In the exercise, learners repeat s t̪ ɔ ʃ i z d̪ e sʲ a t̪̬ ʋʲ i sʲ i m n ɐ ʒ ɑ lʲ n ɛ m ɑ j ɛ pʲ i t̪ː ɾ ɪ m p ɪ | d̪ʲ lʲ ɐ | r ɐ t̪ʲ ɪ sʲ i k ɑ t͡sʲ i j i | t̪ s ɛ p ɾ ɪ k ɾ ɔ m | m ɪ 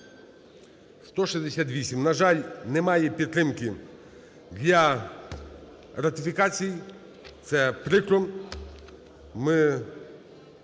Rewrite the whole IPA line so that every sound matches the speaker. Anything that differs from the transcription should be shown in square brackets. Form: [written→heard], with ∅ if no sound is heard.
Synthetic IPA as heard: s t̪ ɔ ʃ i z d̪ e sʲ a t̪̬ ʋʲ i sʲ i m n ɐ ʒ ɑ lʲ n ɛ m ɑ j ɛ pʲ i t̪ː ɾ ɪ m [p→k] ɪ | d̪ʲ lʲ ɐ | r ɐ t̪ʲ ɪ [sʲ→fʲ] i k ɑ t͡sʲ i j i | t̪ s ɛ p ɾ ɪ k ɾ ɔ m | m ɪ